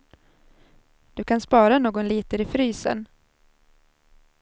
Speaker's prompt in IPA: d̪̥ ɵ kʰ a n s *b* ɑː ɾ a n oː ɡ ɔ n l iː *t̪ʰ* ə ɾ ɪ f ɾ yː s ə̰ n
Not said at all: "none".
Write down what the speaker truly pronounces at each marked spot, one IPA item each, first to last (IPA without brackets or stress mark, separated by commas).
p, t̪